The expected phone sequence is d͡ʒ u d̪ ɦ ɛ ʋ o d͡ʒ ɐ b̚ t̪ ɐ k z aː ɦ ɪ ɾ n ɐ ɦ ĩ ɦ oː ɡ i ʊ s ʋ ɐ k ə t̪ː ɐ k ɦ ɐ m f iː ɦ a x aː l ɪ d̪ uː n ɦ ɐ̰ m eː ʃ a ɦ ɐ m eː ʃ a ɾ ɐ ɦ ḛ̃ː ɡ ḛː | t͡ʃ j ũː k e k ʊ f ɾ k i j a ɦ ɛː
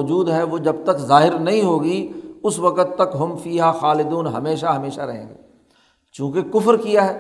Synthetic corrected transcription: d͡ʒ uː d̪ ɦ ɛ ʋ o d͡ʒ ɐ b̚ t̪ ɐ k z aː ɦ ɪ ɾ n ɐ ɦ ĩ ɦ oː ɡ i ʊ s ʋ ɐ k ə t̪ː ɐ k ɦ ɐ m f iː ɦ a x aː l ɪ d̪ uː n ɦ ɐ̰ m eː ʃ a ɦ ɐ m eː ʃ a ɾ ɐ ɦ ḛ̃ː ɡ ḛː | t͡ʃ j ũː k e k ʊ f ɾ k i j a ɦ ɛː